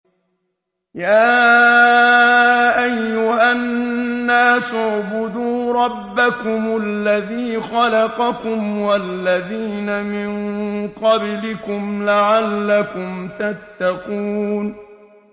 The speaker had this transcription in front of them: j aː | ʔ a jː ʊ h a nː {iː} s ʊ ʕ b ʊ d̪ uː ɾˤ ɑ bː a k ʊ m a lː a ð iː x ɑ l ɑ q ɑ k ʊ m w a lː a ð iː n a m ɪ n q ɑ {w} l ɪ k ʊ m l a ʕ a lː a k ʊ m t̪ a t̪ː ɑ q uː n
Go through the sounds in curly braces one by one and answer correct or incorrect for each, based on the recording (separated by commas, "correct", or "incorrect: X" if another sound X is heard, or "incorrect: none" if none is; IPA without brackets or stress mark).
incorrect: aː, incorrect: b